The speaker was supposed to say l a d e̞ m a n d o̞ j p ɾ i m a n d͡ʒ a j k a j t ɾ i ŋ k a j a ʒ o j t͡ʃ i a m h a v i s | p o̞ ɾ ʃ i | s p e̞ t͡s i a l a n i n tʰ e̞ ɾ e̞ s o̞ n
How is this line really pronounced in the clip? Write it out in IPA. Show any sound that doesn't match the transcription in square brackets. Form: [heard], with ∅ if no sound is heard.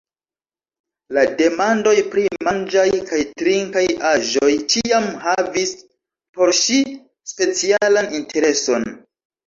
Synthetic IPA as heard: l a d e̞ m a n d o̞ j p ɾ i m a n d͡ʒ a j k a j t ɾ i ŋ k a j a ʒ o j t͡ʃ i a m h a v i s | p o̞ ɾ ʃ i | s p e̞ t͡s i a l a n i n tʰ e̞ ɾ e̞ s o̞ n